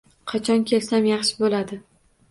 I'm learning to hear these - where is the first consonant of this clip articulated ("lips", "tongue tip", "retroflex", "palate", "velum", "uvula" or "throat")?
uvula